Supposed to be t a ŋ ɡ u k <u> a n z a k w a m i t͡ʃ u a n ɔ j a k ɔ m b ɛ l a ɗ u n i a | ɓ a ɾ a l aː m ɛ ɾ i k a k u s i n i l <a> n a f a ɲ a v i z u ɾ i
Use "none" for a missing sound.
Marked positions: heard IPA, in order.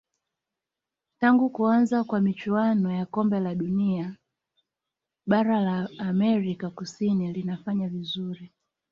u, i

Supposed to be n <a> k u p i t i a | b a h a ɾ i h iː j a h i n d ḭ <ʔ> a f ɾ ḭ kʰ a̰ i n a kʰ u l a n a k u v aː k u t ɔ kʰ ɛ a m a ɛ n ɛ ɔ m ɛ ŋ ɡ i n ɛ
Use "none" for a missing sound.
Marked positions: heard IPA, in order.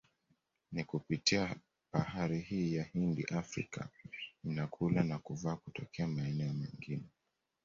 i, ʔ

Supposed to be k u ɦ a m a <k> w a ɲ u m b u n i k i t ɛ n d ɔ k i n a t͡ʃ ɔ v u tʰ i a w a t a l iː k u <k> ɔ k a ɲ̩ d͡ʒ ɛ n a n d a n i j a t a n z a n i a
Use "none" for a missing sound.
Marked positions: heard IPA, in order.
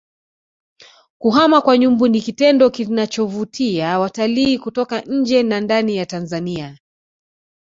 k, t

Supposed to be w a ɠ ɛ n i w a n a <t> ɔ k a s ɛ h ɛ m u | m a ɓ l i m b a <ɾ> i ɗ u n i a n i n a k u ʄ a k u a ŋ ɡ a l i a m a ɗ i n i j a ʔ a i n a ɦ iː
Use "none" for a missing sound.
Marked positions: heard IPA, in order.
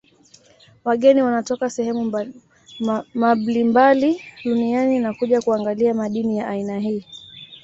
t, l

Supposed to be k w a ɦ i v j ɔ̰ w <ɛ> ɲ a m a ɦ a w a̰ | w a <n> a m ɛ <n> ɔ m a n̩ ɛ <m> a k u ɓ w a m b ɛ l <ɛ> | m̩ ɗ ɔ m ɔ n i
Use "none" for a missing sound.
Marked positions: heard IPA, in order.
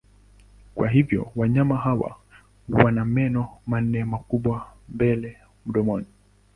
a, n, n, m, ɛ

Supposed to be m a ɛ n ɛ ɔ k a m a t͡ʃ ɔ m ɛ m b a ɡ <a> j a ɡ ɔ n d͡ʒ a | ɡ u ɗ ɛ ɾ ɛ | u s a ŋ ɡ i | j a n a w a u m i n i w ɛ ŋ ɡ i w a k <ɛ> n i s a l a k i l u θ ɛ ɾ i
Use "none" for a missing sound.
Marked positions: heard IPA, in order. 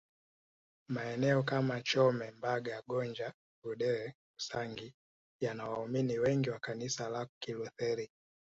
a, a

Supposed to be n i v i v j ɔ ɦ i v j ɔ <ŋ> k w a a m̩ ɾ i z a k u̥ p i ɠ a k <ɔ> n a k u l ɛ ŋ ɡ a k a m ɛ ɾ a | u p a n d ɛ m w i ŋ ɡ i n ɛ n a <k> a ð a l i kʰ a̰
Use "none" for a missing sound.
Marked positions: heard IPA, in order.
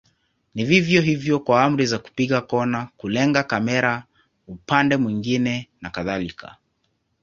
none, ɔ, k

